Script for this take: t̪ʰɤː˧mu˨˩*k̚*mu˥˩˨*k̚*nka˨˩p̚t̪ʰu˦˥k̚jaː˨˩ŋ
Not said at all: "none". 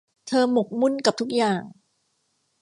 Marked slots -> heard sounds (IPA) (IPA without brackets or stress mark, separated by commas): k̚, none